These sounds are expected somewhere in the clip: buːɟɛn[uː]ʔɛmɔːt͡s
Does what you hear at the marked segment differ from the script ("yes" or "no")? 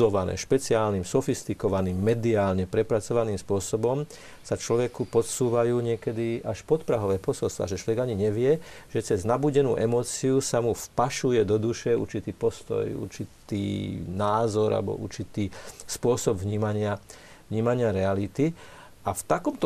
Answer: no